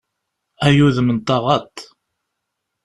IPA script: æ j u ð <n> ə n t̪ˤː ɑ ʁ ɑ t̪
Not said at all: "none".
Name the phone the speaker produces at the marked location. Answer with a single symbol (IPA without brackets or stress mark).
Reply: m